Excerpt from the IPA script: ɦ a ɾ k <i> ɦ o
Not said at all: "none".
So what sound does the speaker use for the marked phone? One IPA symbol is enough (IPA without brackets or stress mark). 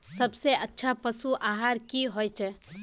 i